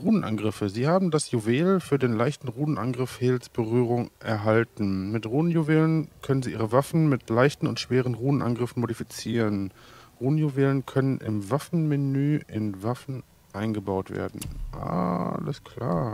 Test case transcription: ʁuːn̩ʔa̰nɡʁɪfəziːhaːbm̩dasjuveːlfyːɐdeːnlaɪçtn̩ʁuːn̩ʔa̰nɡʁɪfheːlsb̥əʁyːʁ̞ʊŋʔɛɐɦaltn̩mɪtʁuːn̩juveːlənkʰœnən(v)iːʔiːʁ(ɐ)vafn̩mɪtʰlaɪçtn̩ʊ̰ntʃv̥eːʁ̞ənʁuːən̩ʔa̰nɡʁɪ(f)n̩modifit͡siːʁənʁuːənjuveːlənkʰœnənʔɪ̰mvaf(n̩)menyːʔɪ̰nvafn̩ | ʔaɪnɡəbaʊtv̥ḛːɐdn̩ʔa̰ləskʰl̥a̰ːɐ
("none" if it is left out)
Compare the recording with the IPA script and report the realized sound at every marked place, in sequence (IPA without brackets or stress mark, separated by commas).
z, ə, f, n̩